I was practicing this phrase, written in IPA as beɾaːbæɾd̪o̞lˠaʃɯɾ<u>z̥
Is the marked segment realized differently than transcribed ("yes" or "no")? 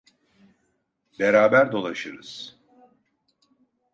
yes